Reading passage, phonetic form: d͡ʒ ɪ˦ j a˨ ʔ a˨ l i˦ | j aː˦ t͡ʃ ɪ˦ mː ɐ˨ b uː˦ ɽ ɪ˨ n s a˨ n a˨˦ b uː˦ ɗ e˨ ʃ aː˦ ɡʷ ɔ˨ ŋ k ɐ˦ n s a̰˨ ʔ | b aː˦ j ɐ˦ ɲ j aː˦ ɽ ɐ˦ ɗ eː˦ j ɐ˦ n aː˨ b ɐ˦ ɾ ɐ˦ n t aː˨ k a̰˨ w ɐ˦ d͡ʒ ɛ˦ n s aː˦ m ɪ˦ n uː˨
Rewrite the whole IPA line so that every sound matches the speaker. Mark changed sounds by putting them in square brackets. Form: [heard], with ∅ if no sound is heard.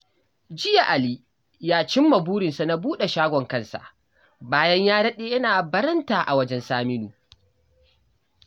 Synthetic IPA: d͡ʒ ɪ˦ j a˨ ʔ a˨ l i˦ | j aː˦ t͡ʃ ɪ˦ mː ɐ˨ b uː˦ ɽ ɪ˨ n s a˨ n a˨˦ b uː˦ ɗ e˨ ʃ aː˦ ɡʷ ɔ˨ ŋ k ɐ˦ n s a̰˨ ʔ | b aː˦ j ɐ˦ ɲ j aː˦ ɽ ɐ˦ ɗ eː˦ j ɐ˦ n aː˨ b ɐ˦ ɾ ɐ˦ n t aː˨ [ʔ] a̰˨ w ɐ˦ d͡ʒ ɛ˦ n s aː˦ m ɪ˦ n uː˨